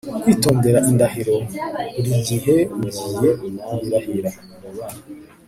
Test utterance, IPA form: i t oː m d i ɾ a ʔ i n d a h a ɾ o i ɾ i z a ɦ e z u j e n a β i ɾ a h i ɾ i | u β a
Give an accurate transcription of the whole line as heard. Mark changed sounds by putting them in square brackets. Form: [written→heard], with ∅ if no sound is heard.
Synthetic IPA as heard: i t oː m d [i→e] ɾ a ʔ i n d a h [a→i] ɾ o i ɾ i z [a→i] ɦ e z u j e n a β i ɾ a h i ɾ [i→a] | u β a